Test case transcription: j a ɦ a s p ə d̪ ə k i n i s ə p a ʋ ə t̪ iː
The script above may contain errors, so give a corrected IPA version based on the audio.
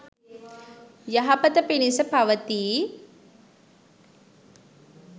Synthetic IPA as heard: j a ɦ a p ə t̪ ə p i n i s ə p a ʋ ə t̪ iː